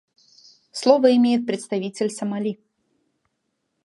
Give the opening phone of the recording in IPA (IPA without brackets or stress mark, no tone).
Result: s